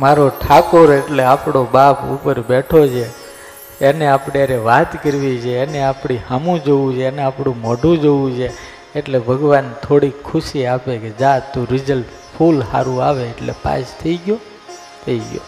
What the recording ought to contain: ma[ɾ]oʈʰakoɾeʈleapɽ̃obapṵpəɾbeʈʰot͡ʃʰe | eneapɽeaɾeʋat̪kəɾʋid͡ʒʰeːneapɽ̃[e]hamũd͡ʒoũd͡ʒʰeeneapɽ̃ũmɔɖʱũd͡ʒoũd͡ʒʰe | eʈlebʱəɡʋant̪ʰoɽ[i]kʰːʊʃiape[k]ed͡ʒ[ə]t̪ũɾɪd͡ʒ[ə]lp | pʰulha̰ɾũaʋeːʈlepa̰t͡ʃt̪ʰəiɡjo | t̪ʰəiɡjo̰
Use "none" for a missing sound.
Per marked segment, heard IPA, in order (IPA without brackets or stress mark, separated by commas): ɾ, i, i, k, a, ə